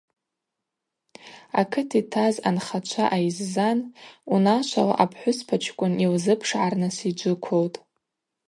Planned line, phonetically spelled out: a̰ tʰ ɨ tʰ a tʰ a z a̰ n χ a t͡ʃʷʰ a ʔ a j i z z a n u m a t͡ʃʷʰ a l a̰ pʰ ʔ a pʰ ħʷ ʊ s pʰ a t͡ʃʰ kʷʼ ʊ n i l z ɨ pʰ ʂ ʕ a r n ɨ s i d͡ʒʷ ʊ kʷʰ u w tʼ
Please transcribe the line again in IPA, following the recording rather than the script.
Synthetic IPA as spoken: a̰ kʰ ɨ tʰ i tʰ a z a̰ n χ a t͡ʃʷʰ a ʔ a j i z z a n u n a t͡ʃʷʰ a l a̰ ʔ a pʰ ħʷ ʊ s pʰ a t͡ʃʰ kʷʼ ʊ n i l z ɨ pʰ ʂ ʕ a r n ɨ s i d͡ʒʷ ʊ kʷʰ o w tʼ